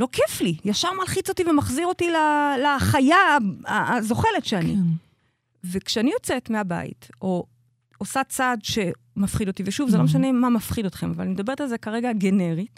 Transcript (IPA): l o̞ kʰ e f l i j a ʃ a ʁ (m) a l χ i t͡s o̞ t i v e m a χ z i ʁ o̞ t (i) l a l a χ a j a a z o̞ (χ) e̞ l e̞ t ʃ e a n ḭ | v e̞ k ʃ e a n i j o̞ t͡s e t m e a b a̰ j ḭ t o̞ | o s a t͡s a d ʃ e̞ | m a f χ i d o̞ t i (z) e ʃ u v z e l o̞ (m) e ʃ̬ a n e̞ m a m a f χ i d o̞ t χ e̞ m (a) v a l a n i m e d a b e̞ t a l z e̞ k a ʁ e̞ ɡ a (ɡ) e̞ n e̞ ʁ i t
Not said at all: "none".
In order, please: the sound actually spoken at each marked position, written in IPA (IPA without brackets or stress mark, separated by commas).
m, i, χ, v, m, a, ɡ